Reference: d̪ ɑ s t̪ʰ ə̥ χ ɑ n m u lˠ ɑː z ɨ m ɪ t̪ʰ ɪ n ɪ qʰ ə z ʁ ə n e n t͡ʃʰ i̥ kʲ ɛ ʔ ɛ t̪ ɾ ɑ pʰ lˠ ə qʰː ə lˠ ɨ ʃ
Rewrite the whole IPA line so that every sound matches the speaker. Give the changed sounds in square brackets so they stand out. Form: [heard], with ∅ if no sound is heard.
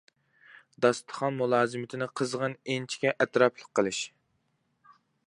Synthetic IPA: d̪ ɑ s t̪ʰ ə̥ χ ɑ n m u lˠ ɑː z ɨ m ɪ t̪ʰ ɪ n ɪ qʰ ə z ʁ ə n e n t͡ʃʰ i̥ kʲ ɛ ʔ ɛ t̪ ɾ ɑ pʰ lˠ ə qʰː ə lˠ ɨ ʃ